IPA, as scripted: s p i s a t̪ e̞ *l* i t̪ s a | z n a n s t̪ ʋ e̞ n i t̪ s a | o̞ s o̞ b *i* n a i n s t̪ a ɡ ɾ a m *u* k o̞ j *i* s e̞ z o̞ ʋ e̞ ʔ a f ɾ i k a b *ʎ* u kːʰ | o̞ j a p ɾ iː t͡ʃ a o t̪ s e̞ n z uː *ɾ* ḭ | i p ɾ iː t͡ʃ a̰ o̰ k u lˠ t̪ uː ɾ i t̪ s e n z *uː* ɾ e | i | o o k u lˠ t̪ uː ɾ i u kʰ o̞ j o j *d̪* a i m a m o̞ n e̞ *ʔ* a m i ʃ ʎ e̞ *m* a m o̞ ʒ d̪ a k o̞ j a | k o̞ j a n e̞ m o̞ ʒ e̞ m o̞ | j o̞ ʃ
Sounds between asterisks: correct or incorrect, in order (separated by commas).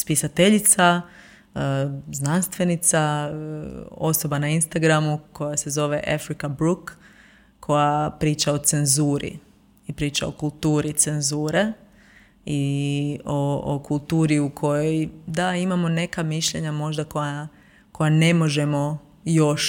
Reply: incorrect, incorrect, correct, incorrect, incorrect, correct, correct, correct, incorrect, incorrect